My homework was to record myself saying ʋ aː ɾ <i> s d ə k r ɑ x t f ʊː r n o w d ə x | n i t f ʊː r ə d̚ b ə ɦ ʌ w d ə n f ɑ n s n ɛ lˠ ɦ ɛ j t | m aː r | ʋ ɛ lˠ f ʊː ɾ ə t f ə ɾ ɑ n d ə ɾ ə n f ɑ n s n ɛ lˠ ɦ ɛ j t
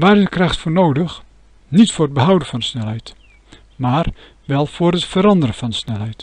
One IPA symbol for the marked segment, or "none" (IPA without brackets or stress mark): ɪ